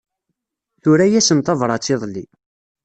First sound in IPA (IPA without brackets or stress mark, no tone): θ